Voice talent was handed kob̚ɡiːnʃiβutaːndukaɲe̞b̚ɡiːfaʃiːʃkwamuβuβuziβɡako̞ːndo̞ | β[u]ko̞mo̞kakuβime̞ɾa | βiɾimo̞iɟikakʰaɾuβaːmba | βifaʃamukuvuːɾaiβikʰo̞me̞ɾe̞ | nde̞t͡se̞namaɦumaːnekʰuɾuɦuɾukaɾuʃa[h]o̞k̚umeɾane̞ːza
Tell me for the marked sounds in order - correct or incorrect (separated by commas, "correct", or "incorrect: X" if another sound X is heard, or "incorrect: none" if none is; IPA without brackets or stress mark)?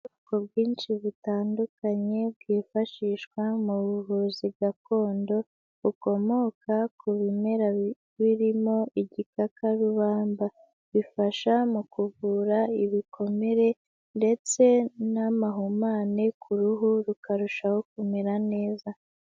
correct, correct